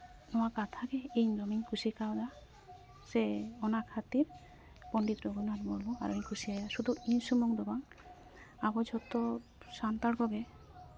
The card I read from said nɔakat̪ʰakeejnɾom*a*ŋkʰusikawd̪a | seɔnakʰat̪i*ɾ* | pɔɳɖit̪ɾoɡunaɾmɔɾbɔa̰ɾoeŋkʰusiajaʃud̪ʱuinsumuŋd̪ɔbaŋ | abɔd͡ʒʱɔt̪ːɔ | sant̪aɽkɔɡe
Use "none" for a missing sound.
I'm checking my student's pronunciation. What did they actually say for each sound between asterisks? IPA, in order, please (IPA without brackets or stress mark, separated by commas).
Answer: i, ɾ